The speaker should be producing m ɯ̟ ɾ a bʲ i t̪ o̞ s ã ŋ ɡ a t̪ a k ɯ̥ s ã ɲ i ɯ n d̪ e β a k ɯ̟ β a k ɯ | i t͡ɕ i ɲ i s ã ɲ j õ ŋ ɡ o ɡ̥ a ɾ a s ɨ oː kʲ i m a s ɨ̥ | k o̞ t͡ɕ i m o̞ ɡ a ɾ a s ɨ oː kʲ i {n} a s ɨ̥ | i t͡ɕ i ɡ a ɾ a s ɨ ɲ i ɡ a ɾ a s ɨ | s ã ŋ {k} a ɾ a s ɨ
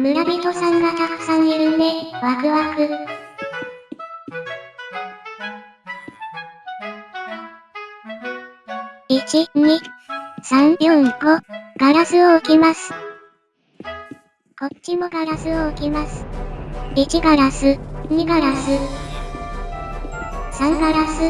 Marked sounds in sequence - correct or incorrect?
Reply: incorrect, incorrect

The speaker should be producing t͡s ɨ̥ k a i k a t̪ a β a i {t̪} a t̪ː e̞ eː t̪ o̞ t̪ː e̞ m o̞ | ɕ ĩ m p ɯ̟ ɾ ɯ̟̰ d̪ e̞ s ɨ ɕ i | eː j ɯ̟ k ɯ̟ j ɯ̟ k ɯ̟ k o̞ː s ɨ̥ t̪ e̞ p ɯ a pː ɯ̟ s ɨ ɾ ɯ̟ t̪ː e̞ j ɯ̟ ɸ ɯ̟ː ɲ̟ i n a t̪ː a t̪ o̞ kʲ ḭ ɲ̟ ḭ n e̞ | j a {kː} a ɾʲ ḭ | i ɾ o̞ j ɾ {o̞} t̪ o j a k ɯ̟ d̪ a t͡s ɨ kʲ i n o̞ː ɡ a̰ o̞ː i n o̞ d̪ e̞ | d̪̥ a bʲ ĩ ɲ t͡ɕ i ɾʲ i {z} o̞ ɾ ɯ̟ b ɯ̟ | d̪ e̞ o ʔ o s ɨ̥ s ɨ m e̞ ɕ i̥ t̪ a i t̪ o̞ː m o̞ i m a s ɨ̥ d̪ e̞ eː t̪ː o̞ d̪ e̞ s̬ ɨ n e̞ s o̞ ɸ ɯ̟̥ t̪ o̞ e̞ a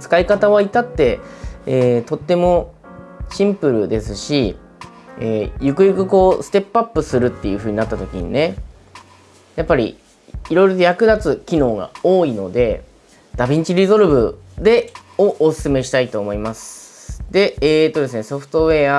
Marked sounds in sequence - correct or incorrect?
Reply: correct, incorrect, correct, correct

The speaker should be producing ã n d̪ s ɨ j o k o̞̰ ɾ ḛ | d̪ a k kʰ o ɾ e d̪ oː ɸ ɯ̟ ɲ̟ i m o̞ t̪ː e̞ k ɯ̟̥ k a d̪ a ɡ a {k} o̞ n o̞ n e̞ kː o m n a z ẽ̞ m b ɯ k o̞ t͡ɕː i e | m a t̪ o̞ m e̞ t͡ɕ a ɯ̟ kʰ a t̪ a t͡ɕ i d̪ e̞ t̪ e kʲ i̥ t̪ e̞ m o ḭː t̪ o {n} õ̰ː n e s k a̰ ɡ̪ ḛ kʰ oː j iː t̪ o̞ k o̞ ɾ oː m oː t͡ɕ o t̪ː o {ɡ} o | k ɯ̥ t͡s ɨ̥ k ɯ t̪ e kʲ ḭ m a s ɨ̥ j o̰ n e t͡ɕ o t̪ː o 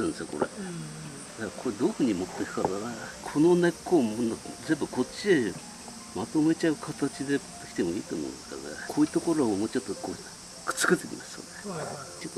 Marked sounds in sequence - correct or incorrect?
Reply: incorrect, incorrect, incorrect

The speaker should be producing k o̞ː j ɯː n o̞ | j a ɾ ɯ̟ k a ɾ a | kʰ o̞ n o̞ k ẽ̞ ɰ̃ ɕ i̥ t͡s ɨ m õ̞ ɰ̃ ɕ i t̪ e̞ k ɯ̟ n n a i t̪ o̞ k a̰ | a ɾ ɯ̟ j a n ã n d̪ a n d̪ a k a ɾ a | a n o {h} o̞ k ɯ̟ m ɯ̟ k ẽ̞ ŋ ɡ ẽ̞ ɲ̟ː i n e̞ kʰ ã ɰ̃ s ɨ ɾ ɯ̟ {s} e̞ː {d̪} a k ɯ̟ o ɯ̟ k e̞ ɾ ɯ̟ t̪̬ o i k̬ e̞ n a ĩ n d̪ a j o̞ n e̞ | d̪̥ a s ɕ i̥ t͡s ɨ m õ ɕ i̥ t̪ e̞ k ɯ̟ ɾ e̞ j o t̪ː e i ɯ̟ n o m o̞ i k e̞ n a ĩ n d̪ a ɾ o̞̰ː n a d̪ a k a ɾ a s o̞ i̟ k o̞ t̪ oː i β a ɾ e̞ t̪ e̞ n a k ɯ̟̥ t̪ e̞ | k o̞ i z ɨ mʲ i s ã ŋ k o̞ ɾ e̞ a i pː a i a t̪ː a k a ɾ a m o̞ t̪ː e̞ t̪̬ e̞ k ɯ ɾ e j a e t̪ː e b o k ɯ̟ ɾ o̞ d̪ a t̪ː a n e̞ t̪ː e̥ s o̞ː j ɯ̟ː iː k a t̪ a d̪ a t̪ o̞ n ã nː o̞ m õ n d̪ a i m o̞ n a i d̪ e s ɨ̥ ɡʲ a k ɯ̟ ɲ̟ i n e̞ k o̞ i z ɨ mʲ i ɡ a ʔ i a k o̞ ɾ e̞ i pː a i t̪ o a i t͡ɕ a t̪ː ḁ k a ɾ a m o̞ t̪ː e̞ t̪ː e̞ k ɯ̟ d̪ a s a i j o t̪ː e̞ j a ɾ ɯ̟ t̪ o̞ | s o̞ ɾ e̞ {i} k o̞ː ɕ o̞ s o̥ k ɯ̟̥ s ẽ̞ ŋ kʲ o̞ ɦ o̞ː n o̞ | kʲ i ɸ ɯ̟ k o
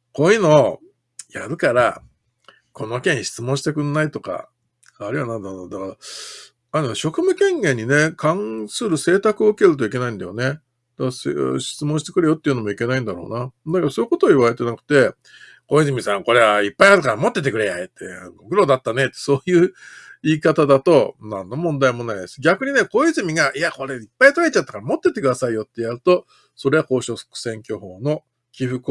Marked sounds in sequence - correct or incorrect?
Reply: incorrect, correct, incorrect, incorrect

